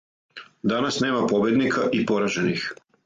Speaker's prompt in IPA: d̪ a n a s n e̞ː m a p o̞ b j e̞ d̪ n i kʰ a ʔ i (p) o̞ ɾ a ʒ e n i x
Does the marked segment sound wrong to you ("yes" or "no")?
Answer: no